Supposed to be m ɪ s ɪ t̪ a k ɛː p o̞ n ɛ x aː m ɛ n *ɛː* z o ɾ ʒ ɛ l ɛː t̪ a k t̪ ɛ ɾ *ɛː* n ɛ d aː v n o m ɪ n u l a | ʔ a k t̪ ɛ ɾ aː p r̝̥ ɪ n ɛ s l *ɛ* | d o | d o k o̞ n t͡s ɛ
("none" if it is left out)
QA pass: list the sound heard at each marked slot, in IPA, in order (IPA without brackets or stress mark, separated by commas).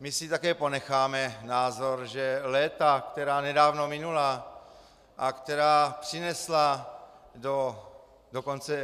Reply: aː, aː, a